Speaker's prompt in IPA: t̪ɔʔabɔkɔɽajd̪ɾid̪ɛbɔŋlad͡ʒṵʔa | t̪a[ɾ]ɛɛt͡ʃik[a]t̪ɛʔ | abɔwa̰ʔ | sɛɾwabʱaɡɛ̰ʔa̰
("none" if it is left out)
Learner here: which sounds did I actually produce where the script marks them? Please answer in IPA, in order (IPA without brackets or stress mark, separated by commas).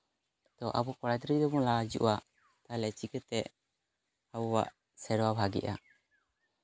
l, ɛ